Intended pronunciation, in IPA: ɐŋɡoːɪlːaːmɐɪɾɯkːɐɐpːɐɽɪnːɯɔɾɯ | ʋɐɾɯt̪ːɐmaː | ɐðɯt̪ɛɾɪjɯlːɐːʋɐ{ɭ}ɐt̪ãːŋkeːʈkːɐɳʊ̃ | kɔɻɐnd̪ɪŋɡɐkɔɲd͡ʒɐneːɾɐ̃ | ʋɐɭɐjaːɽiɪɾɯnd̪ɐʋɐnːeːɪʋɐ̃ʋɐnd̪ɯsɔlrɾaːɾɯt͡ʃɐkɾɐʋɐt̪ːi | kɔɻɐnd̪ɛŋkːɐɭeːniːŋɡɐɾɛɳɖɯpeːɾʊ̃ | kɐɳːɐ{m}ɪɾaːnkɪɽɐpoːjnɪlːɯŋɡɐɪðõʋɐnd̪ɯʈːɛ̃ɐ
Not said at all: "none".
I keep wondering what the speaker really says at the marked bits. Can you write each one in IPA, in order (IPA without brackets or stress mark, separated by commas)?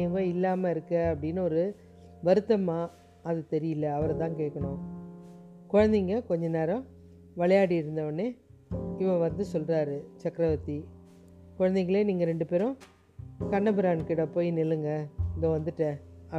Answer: ɾ, b